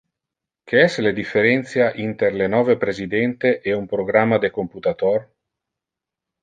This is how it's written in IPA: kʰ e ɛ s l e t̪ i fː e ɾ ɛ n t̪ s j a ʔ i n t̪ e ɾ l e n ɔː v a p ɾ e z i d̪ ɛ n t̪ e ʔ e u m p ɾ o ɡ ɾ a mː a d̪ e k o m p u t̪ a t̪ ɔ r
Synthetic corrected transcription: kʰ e ɛ s l e d̪ i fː e ɾ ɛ n t̪ s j a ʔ i n t̪ e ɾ l e n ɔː v e p ɾ e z i d̪ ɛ n t̪ e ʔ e u m p ɾ o ɡ ɾ a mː a d̪ e k o m p u t̪ a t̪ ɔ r